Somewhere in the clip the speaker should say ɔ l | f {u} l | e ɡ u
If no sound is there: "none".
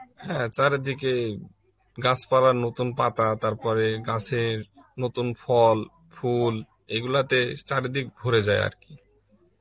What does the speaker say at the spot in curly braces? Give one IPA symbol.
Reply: u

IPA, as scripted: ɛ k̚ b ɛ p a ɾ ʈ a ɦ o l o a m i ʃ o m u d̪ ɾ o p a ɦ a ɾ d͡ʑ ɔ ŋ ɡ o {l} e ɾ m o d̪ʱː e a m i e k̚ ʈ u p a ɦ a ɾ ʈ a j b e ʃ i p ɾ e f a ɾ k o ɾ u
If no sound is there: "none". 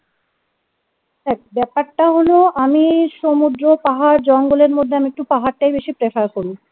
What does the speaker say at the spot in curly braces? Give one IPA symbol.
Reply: l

